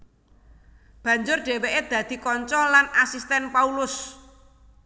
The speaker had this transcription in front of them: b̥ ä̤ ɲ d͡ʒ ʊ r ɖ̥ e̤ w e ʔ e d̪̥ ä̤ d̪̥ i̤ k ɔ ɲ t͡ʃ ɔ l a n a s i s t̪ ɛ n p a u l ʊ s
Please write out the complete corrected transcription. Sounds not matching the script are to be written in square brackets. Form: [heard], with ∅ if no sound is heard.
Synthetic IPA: b̥ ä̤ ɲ d͡ʒ ʊ r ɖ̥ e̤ w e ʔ e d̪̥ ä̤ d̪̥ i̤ k ɔ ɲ t͡ʃ ɔ l a n a s i s t̪ ɛ n p a u l ʊ s

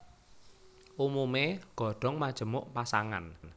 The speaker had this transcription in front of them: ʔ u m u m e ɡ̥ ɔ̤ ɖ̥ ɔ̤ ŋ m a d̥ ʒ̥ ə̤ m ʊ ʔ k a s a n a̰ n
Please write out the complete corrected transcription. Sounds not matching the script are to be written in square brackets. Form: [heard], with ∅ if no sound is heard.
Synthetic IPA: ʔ u m u m e ɡ̥ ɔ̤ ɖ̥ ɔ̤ ŋ m a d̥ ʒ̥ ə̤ m ʊ ʔ [p] a s a [ŋ] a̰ n

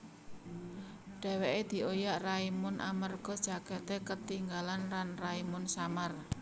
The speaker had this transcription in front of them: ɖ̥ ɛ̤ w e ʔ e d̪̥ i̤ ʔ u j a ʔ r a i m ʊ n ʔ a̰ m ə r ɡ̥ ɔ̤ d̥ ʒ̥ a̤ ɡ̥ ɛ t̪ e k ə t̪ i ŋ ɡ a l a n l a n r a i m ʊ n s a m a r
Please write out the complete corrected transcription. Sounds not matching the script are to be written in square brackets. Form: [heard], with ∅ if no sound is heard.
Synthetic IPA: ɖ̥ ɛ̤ w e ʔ e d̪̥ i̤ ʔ [o] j a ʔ r a i m ʊ n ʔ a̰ m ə r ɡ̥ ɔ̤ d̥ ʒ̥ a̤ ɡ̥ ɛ t̪ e k ə t̪ i ŋ ɡ a l a n l a n r a i m ʊ n s a m a r

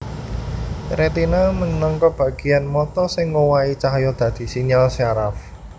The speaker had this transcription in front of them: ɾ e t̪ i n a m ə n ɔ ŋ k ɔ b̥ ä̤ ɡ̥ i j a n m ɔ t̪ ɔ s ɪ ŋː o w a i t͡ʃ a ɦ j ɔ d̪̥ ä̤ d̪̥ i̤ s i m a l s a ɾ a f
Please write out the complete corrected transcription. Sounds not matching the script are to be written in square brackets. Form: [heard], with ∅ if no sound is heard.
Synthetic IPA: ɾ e t̪ i n a m ə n ɔ ŋ k ɔ b̥ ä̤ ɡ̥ i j a n m ɔ t̪ ɔ s ɪ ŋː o w a i t͡ʃ a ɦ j ɔ d̪̥ ä̤ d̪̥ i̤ s i [ɲ] a l s a ɾ a f

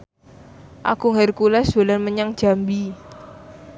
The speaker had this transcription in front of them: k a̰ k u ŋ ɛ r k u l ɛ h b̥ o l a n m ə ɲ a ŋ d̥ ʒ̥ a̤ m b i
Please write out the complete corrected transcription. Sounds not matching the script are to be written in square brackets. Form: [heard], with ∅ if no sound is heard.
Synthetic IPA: [ʔ] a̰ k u ŋ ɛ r k u l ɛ [s] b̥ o l a n m ə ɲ a ŋ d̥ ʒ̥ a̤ m b i

